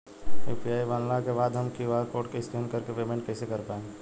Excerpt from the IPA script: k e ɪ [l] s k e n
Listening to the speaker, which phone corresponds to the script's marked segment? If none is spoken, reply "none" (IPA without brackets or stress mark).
none